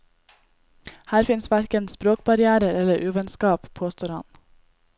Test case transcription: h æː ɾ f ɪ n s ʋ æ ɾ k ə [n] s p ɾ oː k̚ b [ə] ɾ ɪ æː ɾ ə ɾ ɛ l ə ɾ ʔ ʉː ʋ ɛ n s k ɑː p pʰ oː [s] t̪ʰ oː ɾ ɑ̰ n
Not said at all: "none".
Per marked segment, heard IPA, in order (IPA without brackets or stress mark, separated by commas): n, ɑ, s